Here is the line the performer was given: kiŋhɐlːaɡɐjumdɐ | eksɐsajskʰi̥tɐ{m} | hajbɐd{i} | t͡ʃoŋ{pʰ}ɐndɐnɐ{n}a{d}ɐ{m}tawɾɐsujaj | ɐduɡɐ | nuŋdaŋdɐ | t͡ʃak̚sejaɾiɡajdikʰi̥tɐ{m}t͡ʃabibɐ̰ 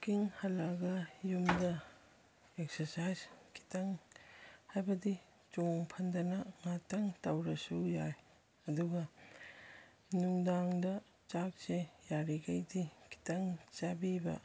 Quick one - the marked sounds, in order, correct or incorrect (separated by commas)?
incorrect, correct, correct, incorrect, incorrect, incorrect, incorrect